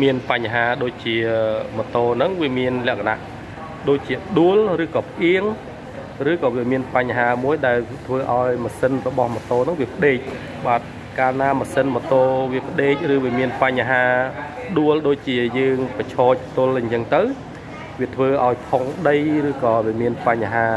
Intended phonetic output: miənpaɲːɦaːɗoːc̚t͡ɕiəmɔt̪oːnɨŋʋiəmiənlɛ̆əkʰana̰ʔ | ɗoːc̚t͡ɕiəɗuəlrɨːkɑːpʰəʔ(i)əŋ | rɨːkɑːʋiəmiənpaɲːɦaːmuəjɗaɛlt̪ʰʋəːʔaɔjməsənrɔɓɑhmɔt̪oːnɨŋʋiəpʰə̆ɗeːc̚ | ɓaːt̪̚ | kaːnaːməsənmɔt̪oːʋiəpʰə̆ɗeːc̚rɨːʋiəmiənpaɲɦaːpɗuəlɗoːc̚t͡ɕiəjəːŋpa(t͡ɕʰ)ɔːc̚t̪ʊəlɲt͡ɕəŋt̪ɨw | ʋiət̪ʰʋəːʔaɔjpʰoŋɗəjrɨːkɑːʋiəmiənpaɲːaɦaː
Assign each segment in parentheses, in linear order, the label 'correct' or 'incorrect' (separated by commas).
correct, correct